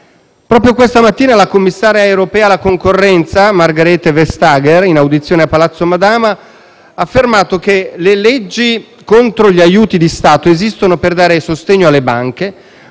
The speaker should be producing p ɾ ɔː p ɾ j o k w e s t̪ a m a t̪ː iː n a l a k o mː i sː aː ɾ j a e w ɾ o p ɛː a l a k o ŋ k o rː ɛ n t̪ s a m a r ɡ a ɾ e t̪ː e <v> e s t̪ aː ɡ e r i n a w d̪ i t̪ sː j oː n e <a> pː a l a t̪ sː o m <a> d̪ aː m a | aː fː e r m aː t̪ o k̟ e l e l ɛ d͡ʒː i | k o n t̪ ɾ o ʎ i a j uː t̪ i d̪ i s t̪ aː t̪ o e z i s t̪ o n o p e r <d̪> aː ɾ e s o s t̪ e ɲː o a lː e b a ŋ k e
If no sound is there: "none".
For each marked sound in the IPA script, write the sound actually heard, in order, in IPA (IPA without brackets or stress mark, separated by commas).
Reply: v, a, a, d̪